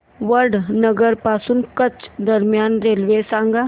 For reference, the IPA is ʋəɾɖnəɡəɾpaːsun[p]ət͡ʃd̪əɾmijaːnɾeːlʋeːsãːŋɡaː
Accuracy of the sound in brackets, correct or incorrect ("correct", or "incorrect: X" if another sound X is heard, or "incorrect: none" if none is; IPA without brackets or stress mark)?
incorrect: k